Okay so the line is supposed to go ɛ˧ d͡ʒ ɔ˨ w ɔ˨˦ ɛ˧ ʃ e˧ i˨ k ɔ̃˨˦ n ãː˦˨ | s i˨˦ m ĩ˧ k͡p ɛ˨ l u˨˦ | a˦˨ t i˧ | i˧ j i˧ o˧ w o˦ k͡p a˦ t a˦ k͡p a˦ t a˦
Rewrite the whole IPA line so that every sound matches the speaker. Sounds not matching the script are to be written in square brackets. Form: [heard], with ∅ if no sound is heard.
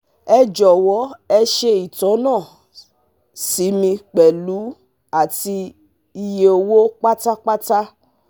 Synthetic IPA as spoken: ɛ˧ d͡ʒ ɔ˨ w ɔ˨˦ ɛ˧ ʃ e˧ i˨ [t] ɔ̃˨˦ n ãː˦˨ | s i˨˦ m ĩ˧ k͡p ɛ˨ l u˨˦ | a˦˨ t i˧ | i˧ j [e˧] o˧ w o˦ k͡p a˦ t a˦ k͡p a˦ t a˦